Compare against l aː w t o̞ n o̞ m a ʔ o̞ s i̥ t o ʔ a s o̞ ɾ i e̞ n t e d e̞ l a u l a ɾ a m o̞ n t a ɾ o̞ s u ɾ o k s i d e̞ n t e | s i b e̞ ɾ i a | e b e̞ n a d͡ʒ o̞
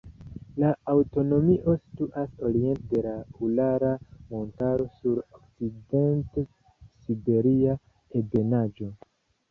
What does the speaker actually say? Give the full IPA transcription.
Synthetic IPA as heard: l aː w t o̞ n o̞ m i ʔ o̞ s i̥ t u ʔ a s o̞ ɾ i e̞ n t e d e̞ l a u l a ɾ a m o̞ n t a ɾ o̞ s u ɾ o k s i d e̞ n t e | s i b e̞ ɾ i a | e b e̞ n a d͡ʒ o̞

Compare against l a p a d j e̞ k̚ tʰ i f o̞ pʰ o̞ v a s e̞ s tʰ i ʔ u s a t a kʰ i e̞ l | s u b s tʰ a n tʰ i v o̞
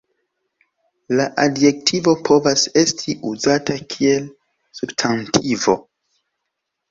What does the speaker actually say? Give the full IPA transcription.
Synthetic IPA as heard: l a ʔ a d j e̞ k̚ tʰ i v o̞ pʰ o̞ v a s e̞ s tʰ i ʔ u z a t a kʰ i e̞ l | s u b s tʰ a n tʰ i v o̞

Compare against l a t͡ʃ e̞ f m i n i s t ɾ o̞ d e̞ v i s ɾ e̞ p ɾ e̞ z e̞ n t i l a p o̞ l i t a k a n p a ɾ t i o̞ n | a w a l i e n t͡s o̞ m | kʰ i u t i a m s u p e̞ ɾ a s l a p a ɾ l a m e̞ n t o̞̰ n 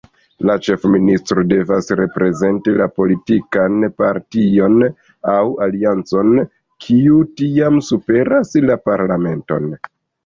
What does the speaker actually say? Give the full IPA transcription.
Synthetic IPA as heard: l a t͡ʃ e̞ f m i n i s t ɾ o̞ d e̞ v a s ɾ e̞ p ɾ e̞ z e̞ n t i l a p o̞ l i t i k a n p a ɾ t i o̞ n | a w a l i a n t͡s o̞ n | kʰ i u t i a m s u p e̞ ɾ a s l a p a ɾ l a m e̞ n t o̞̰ n

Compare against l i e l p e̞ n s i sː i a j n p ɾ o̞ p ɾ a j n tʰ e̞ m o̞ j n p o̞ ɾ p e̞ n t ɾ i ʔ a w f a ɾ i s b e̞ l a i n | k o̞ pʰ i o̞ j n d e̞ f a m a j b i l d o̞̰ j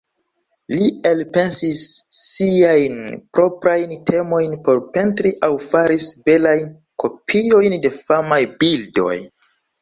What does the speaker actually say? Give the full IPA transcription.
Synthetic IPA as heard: l i e l p e̞ n s i sː i a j n p ɾ o̞ p ɾ a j n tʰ e̞ m o̞ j n p o̞ ɾ p e̞ n t ɾ i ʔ a w f a ɾ i s b e̞ l a j n | k o̞ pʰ i o̞ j n d e̞ f a m a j b i l d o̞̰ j

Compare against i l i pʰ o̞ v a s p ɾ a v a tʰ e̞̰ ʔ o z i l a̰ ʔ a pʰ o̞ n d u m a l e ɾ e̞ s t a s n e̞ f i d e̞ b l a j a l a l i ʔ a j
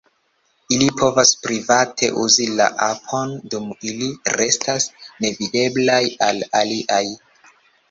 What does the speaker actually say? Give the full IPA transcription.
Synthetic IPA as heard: i l i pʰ o̞ v a s p ɾ i v a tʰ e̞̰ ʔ u z i l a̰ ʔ a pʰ o̞ n d u m i l i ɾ e̞ s t a s n e̞ v i d e̞ b l a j a l a l i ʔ a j

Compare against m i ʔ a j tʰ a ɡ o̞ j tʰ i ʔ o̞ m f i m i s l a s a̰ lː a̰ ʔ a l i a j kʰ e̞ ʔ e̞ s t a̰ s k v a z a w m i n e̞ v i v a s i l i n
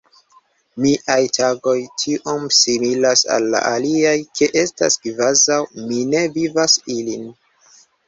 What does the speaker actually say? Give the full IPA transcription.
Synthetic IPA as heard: m i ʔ a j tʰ a ɡ o̞ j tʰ i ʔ o̞ m s i m i l a s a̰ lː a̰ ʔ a l i a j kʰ e̞ ʔ e̞ s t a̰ s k v a z a w m i n e̞ v i v a s i l i n

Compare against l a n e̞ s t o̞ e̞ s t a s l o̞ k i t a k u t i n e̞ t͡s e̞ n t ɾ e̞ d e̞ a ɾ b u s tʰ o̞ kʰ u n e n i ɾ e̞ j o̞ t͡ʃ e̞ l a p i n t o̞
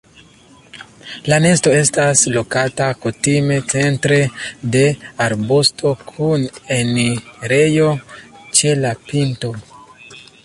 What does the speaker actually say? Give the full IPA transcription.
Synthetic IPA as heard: l a n e̞ s t o̞ e̞ s t a s l o̞ k a t a k u t i m e̞ t͡s e̞ n t ɾ e̞ d e̞ a ɾ b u s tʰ o̞ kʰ u n e n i ɾ e̞ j o̞ t͡ʃ e̞ l a p i n t o̞

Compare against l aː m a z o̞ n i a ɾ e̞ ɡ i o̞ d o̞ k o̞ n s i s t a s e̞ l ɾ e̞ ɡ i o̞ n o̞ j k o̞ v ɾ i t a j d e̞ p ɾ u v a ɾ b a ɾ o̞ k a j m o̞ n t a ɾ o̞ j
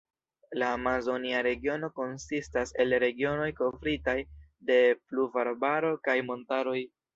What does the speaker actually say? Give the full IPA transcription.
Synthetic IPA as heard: l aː m a z o̞ n i a ɾ e̞ ɡ i o̞ n o̞ k o̞ n s i s t a s e̞ l ɾ e̞ ɡ i o̞ n o̞ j k o̞ v ɾ i t a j d e̞ p l u v a ɾ b a ɾ o̞ k a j m o̞ n t a ɾ o̞ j

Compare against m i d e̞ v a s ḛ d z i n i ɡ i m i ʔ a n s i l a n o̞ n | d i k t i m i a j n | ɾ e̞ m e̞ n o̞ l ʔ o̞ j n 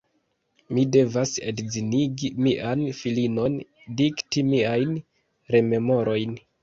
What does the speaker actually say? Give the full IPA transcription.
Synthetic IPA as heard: m i d e̞ v a s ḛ d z i n i ɡ i m i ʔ a n f i l i n o̞ n | d i k t i m i a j n | ɾ e̞ m e̞ m o̞ ɾ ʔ o̞ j n

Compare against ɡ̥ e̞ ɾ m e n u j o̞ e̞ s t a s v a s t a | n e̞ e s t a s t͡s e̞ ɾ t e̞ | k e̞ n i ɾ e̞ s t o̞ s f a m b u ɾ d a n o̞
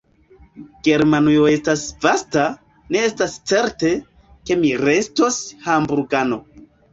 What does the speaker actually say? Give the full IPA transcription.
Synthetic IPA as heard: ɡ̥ e̞ ɾ m a n u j o̞ e̞ s t a s v a s t a | n e̞ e s t a s t͡s e̞ ɾ t e̞ | k e̞ m i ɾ e̞ s t o̞ s h a m b u ɾ ɡ a n o̞

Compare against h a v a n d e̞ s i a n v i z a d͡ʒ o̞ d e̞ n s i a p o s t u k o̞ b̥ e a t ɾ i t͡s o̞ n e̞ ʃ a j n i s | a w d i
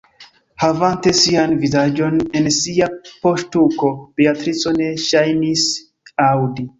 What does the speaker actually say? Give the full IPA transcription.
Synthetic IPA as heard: h a v a n t e̞ s i a n v i z a d͡ʒ o̞ n e̞ n s i a p o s t u k o̞ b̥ e a t ɾ i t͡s o̞ n e̞ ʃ a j n i s | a w d i

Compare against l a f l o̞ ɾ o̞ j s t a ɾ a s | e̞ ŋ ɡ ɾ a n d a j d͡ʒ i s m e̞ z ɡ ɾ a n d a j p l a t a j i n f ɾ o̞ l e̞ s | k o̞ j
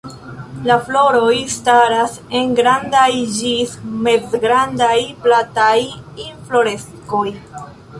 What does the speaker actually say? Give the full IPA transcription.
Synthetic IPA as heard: l a f l o̞ ɾ o̞ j s t a ɾ a s | e̞ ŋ ɡ ɾ a n d a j d͡ʒ i s m e̞ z ɡ ɾ a n d a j p l a t a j i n f l o̞ ɾ e̞ s | k o̞ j

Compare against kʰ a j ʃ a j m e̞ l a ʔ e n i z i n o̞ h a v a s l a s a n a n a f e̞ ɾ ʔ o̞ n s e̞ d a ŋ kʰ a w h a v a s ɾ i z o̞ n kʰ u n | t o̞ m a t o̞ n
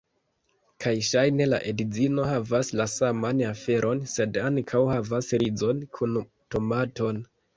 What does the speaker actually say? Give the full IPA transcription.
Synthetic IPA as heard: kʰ a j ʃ a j n e̞ l a ʔ e d i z i n o̞ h a v a s l a s a m a n a f e̞ ɾ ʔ o̞ n s e̞ d a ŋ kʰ a w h a v a s ɾ i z o̞ n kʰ u n | t o̞ m a t o̞ n

